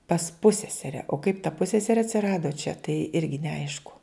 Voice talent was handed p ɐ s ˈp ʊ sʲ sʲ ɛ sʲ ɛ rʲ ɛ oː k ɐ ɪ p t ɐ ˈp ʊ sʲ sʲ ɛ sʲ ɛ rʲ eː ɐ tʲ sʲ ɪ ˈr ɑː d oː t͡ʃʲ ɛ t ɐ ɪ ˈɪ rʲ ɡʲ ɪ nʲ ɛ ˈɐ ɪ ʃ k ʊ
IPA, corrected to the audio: p ɐ s ˈp ʊ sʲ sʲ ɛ sʲ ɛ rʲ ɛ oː k ɐ ɪ p t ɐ ˈp ʊ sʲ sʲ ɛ sʲ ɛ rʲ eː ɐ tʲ sʲ ɪ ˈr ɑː d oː t͡ʃʲ ɛ t ɐ ɪ ˈɪ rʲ ɡʲ ɪ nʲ ɛ ˈɐ ɪ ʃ k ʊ